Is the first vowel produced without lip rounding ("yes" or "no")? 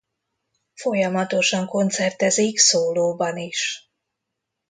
no